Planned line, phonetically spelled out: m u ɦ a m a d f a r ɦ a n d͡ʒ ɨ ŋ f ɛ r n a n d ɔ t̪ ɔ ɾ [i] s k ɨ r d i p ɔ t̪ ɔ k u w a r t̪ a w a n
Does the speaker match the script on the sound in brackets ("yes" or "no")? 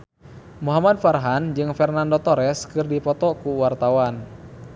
no